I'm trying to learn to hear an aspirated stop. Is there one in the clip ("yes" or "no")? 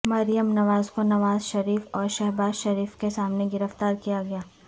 no